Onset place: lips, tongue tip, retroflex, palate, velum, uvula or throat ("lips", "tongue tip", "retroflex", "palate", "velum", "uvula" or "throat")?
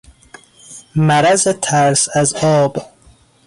lips